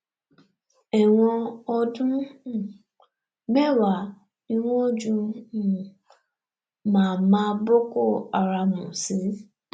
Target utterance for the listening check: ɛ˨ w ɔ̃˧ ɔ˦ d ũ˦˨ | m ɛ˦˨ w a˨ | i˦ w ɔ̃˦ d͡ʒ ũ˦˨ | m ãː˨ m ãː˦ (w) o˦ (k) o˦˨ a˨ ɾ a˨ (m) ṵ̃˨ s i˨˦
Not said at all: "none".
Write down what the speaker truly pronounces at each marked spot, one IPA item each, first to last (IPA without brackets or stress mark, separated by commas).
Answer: b, k, m